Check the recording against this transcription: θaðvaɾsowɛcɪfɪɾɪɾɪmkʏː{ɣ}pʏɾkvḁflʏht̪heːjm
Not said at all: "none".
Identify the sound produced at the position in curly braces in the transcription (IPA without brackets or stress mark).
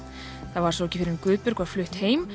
ð